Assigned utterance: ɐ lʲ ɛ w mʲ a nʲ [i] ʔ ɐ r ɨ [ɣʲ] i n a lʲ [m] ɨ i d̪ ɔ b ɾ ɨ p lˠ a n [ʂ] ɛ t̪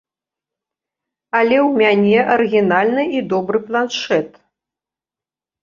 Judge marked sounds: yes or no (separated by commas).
no, yes, no, yes